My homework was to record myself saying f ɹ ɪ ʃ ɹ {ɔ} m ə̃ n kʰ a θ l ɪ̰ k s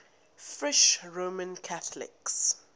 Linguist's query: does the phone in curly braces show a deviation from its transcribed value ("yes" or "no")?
yes